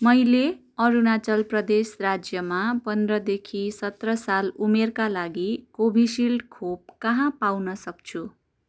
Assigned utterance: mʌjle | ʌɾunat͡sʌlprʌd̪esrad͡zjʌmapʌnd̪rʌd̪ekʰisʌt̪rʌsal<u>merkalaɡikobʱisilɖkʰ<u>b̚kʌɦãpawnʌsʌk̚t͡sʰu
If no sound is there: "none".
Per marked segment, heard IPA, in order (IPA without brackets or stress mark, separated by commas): u, o